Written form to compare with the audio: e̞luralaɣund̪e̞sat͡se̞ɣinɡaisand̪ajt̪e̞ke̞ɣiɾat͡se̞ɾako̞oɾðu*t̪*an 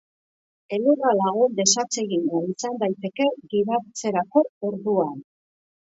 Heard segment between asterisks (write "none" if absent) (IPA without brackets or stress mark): none